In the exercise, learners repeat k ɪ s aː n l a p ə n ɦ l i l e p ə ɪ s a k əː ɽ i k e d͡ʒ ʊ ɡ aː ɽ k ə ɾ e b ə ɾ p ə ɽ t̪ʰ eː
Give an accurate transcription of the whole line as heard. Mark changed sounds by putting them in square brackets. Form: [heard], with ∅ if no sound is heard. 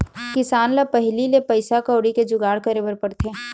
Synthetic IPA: k ɪ s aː n l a p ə [∅] ɦ l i l e p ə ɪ s a k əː ɽ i k e d͡ʒ ʊ ɡ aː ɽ k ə ɾ e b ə ɾ p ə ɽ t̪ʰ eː